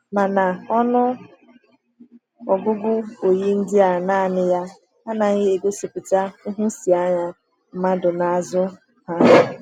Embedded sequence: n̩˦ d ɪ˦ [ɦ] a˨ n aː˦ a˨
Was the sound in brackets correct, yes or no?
no